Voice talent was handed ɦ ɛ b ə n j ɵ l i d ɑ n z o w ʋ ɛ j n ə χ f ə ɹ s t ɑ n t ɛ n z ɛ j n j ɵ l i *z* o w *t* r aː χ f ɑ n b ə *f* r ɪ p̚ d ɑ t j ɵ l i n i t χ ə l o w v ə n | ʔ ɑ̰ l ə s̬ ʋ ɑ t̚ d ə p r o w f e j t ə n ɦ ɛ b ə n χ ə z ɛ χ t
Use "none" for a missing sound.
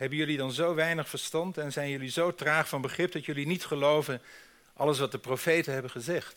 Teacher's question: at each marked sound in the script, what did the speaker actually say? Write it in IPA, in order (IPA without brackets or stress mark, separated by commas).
z, t, χ